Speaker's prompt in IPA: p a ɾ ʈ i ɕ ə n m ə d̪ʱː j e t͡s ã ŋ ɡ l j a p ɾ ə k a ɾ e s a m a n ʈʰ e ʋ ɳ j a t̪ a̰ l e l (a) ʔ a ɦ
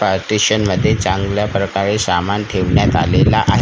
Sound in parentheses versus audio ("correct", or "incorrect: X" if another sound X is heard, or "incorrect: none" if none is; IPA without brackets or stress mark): correct